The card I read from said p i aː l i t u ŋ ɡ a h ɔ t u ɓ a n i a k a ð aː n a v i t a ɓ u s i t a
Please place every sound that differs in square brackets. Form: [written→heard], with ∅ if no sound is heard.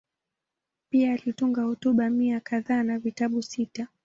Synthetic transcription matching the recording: p i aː l i t u ŋ ɡ a h ɔ t u ɓ a [n→m] i a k a ð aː n a v i t a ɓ u s i t a